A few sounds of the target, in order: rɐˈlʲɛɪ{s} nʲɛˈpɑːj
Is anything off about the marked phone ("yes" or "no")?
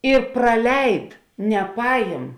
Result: yes